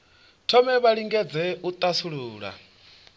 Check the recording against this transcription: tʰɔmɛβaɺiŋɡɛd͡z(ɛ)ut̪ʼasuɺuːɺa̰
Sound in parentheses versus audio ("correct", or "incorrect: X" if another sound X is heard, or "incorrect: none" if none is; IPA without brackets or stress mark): correct